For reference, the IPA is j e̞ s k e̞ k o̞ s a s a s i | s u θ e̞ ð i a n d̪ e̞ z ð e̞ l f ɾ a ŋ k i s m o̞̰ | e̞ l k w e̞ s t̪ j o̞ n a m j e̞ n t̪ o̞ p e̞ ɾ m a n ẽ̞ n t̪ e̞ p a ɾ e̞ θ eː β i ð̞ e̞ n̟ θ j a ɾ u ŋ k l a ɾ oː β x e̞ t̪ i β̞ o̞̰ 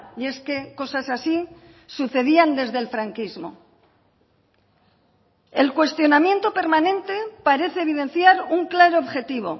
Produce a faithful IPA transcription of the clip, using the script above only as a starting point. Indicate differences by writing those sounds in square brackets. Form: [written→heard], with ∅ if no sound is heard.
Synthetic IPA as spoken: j e̞ s k e̞ k o̞ s a s a s i | s u θ e̞ ð i a n d̪ e̞ z ð e̞ l f ɾ a ŋ k i [s→z] m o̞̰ | e̞ l k w e̞ s t̪ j o̞ n a m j e̞ n t̪ o̞ p e̞ ɾ m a n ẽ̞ n t̪ e̞ p a ɾ e̞ θ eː β i ð̞ e̞ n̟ θ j a ɾ u ŋ k l a ɾ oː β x e̞ t̪ i β̞ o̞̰